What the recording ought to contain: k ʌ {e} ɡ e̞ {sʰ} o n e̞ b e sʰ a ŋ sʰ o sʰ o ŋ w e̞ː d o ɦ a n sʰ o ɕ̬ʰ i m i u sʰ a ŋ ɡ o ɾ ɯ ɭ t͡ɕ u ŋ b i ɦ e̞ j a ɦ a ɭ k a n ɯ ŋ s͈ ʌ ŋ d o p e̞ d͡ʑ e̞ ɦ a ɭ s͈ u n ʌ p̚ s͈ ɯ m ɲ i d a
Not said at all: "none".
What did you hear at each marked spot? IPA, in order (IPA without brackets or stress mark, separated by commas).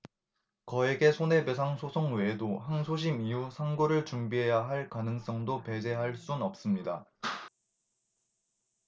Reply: e, sʰ